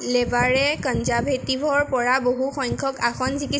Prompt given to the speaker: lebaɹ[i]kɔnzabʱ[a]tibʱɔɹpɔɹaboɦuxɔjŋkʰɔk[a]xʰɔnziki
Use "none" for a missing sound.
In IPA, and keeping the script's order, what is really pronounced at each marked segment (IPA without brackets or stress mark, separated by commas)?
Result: ɛ, e, a